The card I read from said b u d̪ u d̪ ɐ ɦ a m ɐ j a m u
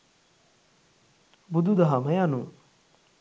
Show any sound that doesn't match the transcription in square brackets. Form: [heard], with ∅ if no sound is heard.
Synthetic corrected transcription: b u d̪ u d̪ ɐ ɦ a m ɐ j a [n] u